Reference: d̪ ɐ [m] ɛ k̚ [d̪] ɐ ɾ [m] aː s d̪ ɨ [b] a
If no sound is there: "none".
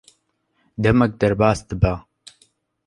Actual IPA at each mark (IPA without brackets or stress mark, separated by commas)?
m, d̪, b, b